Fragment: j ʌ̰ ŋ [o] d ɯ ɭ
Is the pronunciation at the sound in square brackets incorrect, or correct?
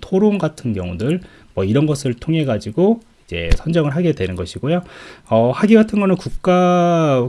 incorrect